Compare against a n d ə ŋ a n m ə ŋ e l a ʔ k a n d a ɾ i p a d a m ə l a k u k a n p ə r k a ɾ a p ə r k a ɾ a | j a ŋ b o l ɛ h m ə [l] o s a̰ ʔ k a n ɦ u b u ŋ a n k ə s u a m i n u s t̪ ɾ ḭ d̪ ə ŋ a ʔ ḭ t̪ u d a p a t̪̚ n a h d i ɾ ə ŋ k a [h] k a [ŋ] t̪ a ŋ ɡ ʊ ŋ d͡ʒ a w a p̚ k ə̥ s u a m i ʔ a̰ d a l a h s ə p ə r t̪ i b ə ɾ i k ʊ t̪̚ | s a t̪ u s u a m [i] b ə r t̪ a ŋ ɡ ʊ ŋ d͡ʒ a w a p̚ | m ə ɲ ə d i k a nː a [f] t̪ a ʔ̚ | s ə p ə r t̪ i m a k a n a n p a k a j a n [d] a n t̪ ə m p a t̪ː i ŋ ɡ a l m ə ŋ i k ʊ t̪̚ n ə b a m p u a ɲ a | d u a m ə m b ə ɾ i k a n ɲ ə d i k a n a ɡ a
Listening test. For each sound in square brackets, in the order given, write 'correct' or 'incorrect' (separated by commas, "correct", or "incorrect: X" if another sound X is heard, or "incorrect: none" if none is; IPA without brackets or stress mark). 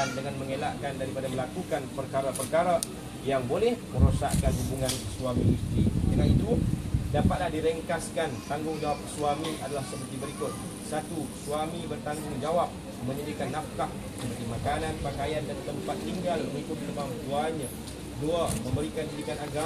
incorrect: ɾ, incorrect: s, incorrect: n, correct, correct, correct